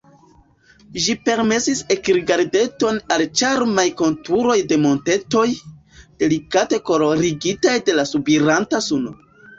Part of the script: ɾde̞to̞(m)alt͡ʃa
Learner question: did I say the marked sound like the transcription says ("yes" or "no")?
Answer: no